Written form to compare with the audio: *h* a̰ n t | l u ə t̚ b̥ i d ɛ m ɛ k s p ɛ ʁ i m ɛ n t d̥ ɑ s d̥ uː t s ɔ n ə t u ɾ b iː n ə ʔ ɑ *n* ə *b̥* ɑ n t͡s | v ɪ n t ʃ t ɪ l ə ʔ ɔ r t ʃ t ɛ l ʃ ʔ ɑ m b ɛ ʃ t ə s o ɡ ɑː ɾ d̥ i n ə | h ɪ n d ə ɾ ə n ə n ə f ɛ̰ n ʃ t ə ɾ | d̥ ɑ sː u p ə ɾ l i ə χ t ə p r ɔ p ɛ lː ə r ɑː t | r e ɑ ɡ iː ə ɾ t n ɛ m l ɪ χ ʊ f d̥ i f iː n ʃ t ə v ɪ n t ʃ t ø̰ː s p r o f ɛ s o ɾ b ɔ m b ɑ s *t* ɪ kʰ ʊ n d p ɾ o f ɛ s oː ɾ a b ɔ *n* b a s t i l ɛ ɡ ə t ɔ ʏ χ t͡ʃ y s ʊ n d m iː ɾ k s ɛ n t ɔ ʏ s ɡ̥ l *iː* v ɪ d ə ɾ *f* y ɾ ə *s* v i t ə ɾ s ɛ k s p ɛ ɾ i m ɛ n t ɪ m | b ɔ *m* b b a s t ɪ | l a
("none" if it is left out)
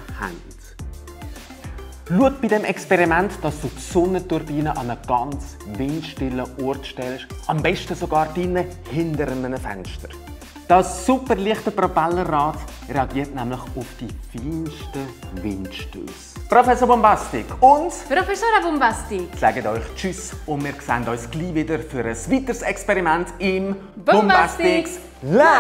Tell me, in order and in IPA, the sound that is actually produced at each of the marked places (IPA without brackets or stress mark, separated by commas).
h, n, ɡ̥, t, m, iː, f, s, m